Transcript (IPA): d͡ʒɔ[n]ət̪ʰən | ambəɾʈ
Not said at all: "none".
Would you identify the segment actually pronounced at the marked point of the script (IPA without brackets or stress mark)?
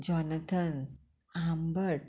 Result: n